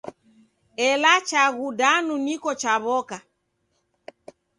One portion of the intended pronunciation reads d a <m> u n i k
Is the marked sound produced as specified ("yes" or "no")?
no